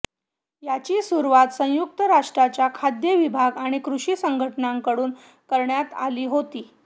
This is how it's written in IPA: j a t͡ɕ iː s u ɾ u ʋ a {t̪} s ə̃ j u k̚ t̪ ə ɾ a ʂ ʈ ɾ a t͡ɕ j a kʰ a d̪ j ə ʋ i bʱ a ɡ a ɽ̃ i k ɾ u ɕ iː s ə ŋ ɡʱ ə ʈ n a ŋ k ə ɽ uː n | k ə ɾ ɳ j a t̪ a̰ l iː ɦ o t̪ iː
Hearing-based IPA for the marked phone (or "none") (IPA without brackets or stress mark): t̪